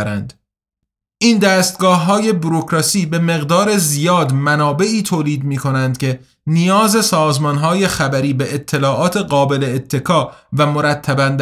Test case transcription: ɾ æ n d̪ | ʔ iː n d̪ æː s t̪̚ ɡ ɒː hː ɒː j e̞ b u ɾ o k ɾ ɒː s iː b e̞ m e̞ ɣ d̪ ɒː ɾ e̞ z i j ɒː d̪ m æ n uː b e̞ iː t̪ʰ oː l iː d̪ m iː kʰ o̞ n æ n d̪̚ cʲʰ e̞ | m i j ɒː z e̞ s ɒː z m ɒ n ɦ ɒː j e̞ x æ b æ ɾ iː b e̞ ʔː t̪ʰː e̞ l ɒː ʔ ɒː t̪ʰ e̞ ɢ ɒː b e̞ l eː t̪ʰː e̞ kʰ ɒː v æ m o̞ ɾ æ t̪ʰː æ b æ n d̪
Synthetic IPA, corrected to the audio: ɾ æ n d̪ | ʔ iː n d̪ æː s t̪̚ ɡ ɒː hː ɒː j e̞ b u ɾ o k ɾ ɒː s iː b e̞ m e̞ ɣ d̪ ɒː ɾ e̞ z i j ɒː d̪ m æ n ɒː b e̞ iː t̪ʰ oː l iː d̪ m iː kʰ o̞ n æ n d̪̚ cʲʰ e̞ | n i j ɒː z e̞ s ɒː z m ɒ n ɦ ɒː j e̞ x æ b æ ɾ iː b e̞ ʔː t̪ʰː e̞ l ɒː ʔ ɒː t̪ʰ e̞ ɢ ɒː b e̞ l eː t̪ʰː e̞ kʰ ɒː v æ m o̞ ɾ æ t̪ʰː æ b æ n d̪